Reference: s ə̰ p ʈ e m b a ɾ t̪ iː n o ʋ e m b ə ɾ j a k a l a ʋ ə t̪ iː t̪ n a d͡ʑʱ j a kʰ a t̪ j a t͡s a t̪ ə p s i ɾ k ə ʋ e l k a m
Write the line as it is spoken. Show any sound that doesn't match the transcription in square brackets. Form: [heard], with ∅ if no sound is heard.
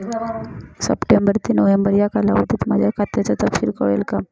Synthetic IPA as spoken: s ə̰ p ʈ e m b [ə] ɾ t̪ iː n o ʋ e m b ə ɾ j a k a l a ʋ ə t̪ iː t̪ [m] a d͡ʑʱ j a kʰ a t̪ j a t͡s a t̪ ə p s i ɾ k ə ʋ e l k a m